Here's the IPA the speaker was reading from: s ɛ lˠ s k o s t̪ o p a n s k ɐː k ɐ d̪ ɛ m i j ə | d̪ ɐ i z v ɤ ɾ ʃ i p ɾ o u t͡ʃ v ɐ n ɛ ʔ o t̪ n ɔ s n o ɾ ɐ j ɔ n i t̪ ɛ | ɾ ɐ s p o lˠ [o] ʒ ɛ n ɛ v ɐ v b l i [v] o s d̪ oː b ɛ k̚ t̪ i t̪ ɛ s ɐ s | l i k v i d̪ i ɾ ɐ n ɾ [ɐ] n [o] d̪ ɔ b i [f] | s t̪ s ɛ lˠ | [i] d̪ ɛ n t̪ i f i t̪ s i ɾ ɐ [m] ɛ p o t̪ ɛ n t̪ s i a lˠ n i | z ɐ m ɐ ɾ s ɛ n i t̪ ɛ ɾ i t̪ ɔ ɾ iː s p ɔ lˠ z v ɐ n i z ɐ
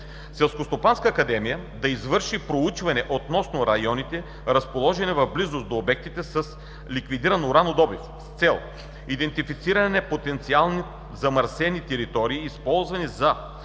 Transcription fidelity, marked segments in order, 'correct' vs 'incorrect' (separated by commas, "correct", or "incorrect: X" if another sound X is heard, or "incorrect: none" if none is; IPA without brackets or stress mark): incorrect: ɔ, incorrect: z, incorrect: a, correct, correct, correct, incorrect: n